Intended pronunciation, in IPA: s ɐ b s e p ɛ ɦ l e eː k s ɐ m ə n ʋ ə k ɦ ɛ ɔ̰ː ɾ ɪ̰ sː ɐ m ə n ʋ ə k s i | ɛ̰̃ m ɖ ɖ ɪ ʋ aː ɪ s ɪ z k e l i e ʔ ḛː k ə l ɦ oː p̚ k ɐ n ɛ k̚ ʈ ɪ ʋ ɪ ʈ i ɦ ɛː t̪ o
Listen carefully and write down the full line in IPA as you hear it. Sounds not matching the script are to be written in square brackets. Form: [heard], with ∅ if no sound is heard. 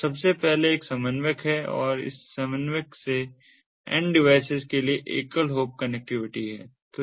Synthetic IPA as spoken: s ɐ b s e p ɛ ɦ l e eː k s ɐ m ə n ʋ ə k ɦ ɛ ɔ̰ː ɾ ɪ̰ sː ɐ m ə n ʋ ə k s [e] | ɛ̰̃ [ɳ] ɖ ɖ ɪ ʋ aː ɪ s ɪ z k e l i e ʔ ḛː k ə l ɦ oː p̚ k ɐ n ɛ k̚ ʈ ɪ ʋ ɪ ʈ i ɦ ɛː t̪ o